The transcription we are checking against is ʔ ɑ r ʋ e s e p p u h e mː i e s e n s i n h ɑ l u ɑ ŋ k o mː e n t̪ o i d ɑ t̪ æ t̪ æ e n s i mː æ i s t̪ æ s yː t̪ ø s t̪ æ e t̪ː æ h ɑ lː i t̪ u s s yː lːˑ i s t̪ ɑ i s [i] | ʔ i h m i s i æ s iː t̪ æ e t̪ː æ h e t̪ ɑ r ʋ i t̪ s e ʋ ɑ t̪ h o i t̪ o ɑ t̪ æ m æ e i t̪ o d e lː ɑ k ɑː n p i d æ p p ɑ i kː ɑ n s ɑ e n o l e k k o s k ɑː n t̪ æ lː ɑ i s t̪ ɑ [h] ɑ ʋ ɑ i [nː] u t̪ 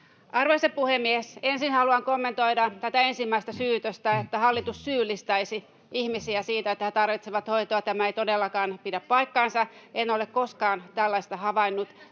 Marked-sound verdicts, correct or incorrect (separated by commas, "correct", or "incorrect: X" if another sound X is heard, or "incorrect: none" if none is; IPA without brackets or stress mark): correct, correct, correct